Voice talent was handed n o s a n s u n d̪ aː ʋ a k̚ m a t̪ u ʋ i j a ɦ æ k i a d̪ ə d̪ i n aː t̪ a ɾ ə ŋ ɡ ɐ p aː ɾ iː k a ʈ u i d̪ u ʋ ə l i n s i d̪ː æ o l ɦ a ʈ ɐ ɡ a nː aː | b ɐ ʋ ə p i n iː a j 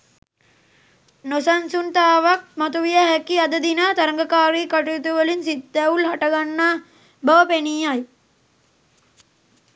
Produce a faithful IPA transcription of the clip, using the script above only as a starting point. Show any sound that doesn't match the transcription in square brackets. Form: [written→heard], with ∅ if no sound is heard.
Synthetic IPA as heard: n o s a n s u n [d̪→t̪] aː ʋ a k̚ m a t̪ u ʋ i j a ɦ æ k i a d̪ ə d̪ i n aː t̪ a ɾ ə ŋ ɡ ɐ [p→k] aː ɾ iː k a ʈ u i [d̪→t̪] u ʋ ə l i n s i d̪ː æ [o→u] l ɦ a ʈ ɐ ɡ a nː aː | b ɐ ʋ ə p [i→e] n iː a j